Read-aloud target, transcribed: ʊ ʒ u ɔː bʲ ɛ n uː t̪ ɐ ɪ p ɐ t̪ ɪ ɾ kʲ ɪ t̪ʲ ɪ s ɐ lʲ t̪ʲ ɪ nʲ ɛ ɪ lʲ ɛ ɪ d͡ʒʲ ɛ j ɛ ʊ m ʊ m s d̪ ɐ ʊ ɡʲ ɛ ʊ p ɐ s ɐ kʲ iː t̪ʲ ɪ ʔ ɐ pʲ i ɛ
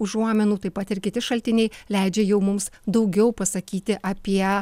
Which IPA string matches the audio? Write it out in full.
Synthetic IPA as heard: ʊ ʒ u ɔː mʲ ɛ n uː t̪ ɐ ɪ p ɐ t̪ ɪ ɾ kʲ ɪ t̪ʲ ɪ ʃ ɐ lʲ t̪ʲ ɪ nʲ ɛ ɪ lʲ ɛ ɪ d͡ʒʲ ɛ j ɛ ʊ m ʊ m s d̪ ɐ ʊ ɡʲ ɛ ʊ p ɐ s ɐ kʲ iː t̪ʲ ɪ ʔ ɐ pʲ i ɛ